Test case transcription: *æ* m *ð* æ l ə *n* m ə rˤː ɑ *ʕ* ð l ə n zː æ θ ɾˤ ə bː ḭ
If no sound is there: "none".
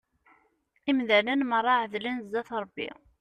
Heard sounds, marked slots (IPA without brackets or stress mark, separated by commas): i, ð, n, ʕ